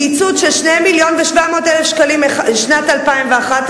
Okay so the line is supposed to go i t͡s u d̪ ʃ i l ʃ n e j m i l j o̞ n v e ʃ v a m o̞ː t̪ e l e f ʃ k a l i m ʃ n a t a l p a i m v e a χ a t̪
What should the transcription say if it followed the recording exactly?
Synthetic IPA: i t͡s u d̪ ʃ e l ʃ n e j m i l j o̞ n v e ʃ v a m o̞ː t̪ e l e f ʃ k a l i m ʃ n a t a l p a i m v e a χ a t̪